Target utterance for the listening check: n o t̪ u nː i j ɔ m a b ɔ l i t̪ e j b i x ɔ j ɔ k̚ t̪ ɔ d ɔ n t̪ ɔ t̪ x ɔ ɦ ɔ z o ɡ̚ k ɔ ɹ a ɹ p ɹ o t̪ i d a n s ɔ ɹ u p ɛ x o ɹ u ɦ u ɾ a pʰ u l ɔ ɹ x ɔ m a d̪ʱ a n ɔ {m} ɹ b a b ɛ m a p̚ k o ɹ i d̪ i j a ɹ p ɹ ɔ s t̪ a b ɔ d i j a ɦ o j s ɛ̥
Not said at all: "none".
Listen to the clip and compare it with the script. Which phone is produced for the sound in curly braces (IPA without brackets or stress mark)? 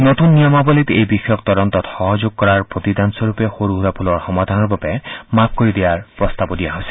none